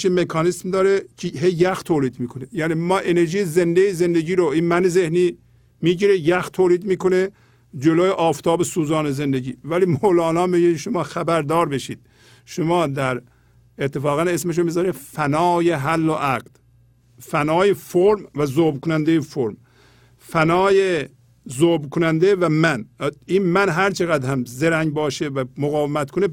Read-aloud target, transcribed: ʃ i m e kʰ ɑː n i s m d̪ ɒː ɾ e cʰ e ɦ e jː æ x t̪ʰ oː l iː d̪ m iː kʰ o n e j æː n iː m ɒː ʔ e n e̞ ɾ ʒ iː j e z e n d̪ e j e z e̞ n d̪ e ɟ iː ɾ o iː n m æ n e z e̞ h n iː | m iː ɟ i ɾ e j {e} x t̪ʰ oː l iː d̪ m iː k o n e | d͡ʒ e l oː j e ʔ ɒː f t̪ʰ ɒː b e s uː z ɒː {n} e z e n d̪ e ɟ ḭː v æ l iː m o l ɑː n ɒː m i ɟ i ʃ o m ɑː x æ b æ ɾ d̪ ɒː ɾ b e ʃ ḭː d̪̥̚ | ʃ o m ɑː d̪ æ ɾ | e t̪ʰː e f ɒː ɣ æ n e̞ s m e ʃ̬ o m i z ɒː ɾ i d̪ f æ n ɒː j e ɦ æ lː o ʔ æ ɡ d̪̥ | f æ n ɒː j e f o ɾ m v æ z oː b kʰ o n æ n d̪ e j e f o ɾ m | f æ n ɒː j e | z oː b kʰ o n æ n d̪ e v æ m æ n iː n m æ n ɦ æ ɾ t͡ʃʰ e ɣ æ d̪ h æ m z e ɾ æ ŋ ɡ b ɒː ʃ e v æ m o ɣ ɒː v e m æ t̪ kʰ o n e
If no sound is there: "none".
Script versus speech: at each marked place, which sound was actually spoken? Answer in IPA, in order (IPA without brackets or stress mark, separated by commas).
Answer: æ, n